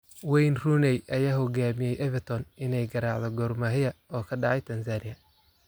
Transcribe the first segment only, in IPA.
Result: w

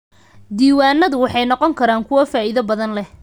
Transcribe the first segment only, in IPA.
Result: d̪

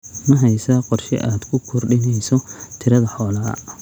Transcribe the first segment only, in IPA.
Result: m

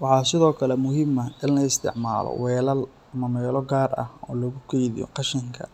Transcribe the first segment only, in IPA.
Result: w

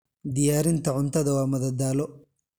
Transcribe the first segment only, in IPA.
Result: d̪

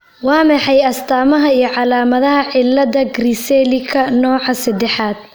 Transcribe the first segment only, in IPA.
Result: w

